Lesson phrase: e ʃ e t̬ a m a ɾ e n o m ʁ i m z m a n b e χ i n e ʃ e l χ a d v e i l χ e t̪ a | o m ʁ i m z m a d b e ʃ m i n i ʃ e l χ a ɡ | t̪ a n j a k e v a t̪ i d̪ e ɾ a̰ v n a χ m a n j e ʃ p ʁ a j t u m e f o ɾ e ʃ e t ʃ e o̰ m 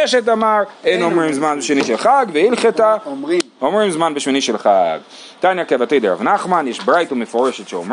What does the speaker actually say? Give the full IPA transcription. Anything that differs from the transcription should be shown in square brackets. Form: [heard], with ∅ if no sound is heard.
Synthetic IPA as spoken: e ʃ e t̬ a m a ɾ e n o m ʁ i m z m a n b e [ʃ] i n [i] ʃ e l χ a [ɡ] v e i l χ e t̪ a | o m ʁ i m z m a [n] b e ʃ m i n i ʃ e l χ a ɡ | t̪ a n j a k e v a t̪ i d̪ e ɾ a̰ v n a χ m a n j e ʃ [b] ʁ a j t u m e f o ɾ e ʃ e t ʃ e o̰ m